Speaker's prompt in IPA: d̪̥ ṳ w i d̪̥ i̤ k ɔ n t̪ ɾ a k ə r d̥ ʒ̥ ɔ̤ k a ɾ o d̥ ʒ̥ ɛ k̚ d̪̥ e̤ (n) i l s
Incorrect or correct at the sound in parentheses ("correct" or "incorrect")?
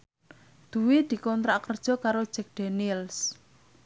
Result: correct